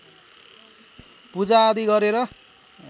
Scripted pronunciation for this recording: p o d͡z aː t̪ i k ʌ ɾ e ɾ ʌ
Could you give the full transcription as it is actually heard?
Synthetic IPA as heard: p u d͡z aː d̪ i ɡ ʌ ɾ e ɾ ʌ